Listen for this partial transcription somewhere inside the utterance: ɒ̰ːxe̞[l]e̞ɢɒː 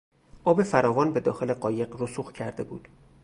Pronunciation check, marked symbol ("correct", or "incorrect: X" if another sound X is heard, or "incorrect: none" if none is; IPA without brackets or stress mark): correct